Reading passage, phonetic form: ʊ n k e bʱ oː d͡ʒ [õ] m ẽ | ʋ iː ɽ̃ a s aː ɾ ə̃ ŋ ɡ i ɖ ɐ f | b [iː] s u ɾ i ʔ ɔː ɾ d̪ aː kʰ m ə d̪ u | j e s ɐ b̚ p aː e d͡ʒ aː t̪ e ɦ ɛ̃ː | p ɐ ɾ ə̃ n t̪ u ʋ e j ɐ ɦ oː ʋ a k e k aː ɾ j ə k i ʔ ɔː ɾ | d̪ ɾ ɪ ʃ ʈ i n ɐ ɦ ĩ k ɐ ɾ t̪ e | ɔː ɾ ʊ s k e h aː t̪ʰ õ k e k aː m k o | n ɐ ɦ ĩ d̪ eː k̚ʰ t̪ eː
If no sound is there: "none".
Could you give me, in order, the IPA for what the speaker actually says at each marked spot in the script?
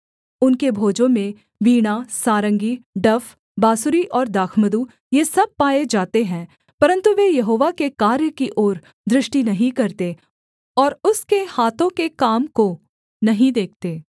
õ, aː

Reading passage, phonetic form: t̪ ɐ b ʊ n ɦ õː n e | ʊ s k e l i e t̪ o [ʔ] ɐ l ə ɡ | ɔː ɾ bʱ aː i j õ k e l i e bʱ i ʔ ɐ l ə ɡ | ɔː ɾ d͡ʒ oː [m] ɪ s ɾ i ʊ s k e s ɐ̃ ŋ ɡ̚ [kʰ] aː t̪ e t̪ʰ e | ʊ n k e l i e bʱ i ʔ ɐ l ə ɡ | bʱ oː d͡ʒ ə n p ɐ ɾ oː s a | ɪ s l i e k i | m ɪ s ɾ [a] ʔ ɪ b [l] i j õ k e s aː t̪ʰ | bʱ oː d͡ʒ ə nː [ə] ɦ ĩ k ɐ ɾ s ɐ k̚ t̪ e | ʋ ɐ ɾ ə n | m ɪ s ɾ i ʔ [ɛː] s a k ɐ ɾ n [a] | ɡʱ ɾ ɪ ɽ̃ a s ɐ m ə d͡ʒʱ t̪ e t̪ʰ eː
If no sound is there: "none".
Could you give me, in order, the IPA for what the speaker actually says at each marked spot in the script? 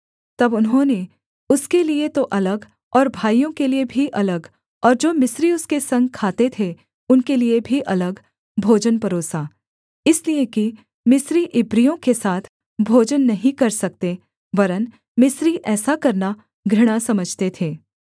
ʔ, m, kʰ, i, ɾ, ɐ, ɛː, a

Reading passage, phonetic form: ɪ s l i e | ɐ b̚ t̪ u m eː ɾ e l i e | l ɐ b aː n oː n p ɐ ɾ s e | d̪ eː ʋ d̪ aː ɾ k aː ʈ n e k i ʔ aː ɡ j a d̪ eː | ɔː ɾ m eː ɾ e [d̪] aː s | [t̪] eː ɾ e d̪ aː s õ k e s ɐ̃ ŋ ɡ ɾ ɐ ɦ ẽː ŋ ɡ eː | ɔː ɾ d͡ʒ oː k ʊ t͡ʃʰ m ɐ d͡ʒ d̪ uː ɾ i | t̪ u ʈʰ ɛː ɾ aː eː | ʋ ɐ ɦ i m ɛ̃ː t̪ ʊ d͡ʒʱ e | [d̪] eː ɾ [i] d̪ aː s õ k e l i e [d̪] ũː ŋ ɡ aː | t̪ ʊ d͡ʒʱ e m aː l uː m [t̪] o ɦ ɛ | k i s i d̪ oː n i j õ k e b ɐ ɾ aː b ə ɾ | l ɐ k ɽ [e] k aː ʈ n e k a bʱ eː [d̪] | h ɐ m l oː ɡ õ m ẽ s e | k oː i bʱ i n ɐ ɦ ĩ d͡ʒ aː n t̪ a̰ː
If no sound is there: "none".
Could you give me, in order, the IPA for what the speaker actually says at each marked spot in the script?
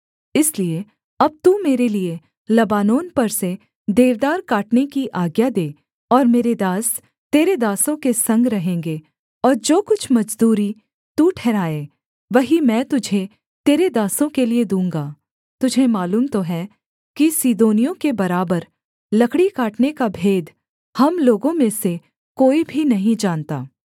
d̪, t̪, t̪, e, d̪, t̪, i, d̪

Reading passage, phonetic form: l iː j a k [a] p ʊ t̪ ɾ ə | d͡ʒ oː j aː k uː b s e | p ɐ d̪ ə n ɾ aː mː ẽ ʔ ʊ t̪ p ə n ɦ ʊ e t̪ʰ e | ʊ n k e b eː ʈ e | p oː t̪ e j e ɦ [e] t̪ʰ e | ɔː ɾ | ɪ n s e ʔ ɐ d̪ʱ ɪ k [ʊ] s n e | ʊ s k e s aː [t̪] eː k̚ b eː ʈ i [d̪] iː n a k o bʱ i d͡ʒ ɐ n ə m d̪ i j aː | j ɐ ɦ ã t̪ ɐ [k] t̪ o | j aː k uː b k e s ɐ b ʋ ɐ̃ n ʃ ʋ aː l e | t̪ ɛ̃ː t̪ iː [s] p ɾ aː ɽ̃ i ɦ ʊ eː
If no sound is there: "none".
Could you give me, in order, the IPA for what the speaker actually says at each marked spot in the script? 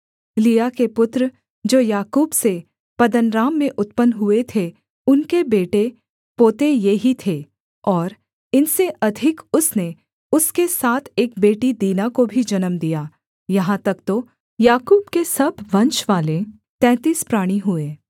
e, i, ʊ, t̪ʰ, d̪, k, s

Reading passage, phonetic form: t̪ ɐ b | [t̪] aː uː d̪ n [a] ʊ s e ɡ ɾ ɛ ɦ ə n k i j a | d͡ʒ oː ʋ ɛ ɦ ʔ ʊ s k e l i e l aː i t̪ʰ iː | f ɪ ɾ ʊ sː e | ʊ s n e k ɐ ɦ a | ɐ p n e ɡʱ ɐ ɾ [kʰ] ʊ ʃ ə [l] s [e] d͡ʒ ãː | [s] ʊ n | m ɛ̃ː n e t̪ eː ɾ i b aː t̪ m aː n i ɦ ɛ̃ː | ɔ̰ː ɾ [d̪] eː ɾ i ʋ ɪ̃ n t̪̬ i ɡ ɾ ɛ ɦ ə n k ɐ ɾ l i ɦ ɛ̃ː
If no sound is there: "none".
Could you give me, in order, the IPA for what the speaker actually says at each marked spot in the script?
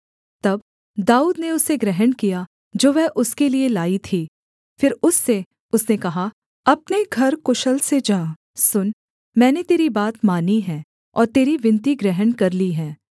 d̪, e, k, l, e, s, t̪

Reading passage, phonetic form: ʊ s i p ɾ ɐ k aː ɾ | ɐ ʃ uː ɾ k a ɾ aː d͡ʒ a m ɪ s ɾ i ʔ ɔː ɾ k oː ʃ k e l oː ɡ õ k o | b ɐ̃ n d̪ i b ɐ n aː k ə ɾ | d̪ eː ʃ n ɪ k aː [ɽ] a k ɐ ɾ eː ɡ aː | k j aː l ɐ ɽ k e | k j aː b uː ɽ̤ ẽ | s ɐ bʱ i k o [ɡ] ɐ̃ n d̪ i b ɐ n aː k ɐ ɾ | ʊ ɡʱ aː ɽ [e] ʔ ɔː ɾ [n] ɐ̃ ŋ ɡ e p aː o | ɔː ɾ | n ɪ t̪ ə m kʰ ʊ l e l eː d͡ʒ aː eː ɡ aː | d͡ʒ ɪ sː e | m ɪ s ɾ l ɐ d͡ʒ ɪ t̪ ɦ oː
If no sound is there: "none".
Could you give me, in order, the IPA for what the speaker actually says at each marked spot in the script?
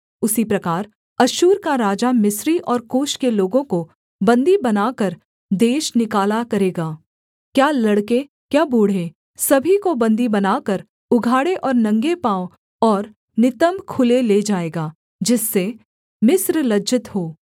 l, b, e, n

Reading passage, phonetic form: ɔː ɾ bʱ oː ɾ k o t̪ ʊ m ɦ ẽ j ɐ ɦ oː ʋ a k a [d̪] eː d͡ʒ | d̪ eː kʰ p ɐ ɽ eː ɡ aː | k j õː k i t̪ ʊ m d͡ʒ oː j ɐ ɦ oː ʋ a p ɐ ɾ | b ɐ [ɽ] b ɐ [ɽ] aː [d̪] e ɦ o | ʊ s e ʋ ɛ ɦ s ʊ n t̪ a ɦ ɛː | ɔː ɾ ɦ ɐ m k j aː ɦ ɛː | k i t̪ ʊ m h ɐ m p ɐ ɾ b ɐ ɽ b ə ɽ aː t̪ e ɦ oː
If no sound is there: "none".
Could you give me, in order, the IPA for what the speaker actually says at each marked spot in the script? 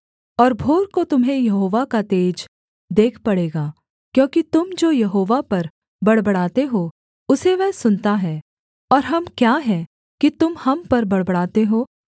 t̪, ɽ, ɽ, t̪

